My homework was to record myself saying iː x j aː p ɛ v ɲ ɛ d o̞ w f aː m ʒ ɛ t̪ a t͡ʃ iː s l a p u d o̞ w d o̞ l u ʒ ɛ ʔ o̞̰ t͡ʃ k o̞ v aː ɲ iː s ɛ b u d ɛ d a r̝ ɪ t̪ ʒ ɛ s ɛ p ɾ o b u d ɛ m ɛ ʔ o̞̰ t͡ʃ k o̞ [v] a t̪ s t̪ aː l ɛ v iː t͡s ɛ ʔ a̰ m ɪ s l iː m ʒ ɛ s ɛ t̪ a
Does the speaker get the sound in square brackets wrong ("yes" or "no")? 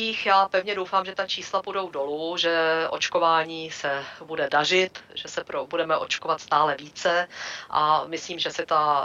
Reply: no